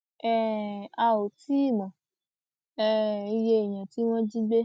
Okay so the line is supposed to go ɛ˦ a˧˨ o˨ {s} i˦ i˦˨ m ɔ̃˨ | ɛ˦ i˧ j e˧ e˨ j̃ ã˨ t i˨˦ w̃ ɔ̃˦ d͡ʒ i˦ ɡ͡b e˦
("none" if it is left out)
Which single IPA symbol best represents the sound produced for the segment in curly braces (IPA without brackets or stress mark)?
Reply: t